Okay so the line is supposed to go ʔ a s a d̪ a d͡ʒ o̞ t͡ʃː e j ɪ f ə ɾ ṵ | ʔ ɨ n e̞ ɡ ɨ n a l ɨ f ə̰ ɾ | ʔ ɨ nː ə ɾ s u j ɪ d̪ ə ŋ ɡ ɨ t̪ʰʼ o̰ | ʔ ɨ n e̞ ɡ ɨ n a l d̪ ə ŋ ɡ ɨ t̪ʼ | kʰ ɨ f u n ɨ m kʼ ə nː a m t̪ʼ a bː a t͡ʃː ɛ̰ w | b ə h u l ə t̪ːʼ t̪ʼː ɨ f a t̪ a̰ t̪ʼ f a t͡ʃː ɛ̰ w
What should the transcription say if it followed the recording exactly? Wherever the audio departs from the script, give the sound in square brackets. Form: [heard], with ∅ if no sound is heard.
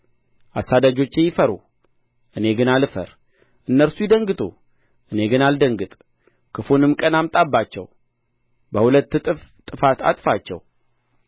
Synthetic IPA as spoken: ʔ a s a d̪ a d͡ʒ o̞ t͡ʃː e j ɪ f ə ɾ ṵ | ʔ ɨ n e̞ ɡ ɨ n a l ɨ f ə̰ ɾ | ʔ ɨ nː ə ɾ s u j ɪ d̪ ə ŋ ɡ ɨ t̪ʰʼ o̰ | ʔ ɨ n e̞ ɡ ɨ n a l d̪ ə ŋ ɡ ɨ t̪ʼ | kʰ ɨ f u n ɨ m kʼ ə [n] a m t̪ʼ a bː a t͡ʃː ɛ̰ w | b ə h u l ə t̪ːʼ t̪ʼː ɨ f a t̪ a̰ t̪ʼ f a t͡ʃː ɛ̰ w